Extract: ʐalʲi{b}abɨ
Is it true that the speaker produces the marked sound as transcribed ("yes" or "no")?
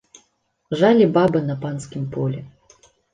yes